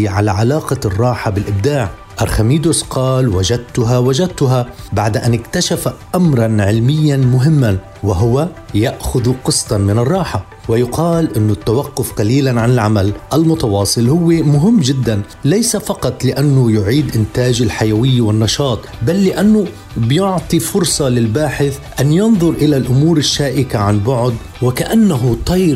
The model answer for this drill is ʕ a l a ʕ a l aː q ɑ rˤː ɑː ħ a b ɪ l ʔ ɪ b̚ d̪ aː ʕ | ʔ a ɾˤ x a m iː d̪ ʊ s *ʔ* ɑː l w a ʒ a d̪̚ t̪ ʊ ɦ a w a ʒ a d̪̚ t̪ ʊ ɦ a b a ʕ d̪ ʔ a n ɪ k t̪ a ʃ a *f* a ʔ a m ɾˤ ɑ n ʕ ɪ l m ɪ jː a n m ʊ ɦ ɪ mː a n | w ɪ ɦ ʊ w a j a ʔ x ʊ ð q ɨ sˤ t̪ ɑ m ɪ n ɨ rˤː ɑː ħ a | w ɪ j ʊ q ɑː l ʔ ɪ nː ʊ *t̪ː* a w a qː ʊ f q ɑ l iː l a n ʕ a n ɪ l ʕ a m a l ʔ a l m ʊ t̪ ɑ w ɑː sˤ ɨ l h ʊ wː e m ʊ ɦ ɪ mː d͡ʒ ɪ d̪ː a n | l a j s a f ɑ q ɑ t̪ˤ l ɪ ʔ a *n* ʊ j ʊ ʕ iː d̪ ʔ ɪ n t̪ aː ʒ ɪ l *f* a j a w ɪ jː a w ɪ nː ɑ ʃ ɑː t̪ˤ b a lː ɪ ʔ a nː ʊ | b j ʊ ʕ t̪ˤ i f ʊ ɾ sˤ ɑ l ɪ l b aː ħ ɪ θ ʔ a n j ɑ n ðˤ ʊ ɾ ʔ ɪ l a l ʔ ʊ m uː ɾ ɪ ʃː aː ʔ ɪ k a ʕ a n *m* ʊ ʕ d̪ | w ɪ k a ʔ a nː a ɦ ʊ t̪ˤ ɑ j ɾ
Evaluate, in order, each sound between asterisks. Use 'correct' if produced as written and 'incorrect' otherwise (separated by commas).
incorrect, correct, correct, incorrect, incorrect, incorrect